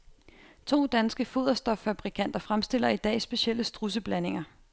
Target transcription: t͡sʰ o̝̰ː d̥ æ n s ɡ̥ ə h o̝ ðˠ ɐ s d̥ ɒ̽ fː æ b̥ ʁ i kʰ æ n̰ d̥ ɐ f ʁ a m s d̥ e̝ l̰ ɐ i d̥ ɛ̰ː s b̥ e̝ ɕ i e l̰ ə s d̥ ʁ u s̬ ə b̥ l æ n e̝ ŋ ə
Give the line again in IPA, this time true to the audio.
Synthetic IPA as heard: t͡sʰ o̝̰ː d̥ æ n s ɡ̥ ə f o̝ ðˠ ɐ s d̥ ɒ̽ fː æ b̥ ʁ i kʰ æ n̰ d̥ ɐ f ʁ a m s d̥ e̝ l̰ ɐ i d̥ ɛ̰ː s b̥ e̝ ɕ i e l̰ ə s d̥ ʁ u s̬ ə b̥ l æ n e̝ ŋ ɐ